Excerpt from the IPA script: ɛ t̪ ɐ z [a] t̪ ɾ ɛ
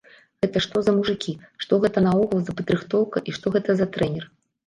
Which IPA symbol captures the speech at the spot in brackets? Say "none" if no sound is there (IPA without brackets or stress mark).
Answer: ɐ